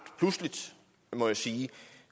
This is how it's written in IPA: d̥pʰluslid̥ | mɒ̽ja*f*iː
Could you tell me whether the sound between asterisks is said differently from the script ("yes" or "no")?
yes